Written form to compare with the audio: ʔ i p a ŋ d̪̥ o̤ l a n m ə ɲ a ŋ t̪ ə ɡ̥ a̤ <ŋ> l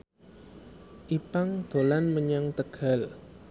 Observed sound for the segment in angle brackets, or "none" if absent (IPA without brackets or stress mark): none